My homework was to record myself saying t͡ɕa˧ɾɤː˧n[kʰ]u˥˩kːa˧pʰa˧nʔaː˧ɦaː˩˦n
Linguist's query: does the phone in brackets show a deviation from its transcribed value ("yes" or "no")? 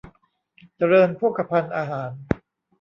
yes